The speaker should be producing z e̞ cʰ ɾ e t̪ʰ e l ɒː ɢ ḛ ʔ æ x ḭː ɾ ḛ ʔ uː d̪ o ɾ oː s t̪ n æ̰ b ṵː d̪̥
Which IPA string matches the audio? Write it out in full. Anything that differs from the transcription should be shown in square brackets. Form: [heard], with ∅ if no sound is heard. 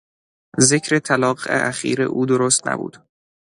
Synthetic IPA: z e̞ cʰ ɾ e t̪ʰ [æ] l ɒː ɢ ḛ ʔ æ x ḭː ɾ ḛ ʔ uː d̪ o ɾ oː s t̪ n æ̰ b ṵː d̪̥